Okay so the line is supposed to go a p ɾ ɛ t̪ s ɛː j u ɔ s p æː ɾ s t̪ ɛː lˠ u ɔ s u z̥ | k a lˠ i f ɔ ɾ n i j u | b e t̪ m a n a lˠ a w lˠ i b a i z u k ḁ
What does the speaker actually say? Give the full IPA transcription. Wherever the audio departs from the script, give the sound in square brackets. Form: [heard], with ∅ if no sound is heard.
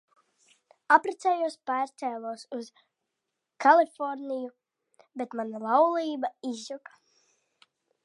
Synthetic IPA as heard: a p ɾ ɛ t̪ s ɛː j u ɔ s p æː ɾ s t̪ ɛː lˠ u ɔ s u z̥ | k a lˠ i f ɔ ɾ n i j u | b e t̪ m a n a lˠ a w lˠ [iː] b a i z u k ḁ